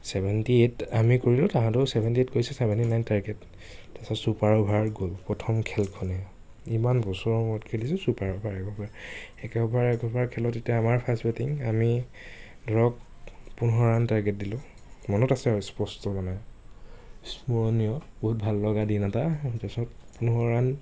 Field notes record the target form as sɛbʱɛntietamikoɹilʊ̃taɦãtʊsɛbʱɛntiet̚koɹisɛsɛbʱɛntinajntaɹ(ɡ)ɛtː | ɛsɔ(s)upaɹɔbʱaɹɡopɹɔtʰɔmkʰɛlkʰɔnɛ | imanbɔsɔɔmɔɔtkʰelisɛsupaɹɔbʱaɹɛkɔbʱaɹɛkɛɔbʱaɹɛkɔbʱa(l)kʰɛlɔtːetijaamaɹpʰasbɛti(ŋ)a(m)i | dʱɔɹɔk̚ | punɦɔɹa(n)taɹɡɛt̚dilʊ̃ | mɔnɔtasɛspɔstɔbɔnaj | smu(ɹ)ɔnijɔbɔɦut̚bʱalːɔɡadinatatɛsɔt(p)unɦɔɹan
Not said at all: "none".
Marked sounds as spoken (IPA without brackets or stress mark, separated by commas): ɡ, s, ɹ, ŋ, m, n, ɹ, p